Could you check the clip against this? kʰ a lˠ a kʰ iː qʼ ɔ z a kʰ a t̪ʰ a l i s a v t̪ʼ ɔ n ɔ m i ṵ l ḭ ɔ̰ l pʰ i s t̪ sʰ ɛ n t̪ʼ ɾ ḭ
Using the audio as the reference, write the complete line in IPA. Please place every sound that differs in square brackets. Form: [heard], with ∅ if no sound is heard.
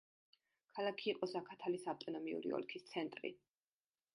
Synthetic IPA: kʰ a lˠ a kʰ iː qʼ ɔ [s] a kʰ a t̪ʰ a l i s a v t̪ʼ ɔ n ɔ m i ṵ [ɾ] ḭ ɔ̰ l [kʰ] i s t̪ sʰ ɛ n t̪ʼ ɾ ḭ